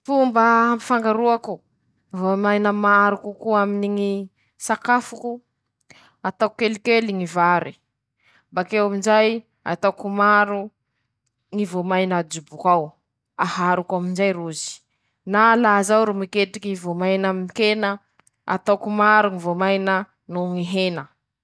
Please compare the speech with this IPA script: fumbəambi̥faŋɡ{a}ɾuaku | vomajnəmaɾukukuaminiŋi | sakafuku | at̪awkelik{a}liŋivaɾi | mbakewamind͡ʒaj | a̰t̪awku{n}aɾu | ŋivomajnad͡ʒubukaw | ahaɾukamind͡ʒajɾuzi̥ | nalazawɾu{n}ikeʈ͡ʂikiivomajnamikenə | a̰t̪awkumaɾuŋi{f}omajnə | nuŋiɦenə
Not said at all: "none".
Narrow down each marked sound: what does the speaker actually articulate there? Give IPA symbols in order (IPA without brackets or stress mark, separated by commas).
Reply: a, e, m, m, v